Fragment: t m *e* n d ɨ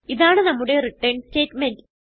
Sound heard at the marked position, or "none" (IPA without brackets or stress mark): e